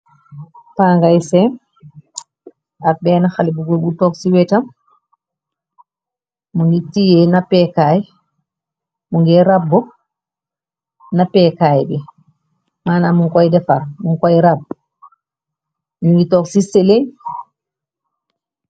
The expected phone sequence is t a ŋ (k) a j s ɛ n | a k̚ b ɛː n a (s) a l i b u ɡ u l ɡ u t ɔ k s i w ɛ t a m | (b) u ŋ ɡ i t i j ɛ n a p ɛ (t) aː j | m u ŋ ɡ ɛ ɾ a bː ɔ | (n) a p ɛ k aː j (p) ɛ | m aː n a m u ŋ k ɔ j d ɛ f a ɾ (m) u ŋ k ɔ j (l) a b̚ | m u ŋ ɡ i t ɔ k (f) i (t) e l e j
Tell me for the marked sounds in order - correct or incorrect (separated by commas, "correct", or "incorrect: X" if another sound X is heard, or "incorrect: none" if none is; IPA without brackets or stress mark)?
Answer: incorrect: ɡ, incorrect: x, incorrect: m, incorrect: k, correct, incorrect: b, correct, incorrect: ɾ, incorrect: s, incorrect: s